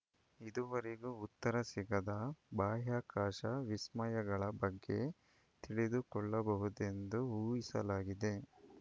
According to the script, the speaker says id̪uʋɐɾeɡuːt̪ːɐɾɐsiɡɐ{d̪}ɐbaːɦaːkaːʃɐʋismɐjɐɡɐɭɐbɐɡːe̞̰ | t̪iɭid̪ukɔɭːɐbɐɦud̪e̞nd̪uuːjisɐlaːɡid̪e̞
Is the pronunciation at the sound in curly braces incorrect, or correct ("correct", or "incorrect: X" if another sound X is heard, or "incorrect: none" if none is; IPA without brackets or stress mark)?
correct